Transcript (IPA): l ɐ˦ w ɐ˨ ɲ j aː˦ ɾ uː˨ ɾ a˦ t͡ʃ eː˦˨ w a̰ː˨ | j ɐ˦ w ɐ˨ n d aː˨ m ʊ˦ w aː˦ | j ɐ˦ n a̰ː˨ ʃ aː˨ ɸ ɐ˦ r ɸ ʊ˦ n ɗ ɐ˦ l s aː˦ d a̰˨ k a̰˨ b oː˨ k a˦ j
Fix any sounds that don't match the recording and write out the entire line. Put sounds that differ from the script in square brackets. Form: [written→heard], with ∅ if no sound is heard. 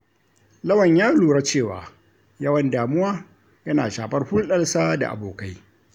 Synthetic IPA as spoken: l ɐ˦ w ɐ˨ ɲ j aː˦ [ɾ→l] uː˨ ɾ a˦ t͡ʃ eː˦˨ w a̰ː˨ | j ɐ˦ w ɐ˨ n d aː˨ m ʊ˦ w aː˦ | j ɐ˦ n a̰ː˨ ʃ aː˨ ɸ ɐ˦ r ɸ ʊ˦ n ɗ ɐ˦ l s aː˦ d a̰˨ [k→ʔ] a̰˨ b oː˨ k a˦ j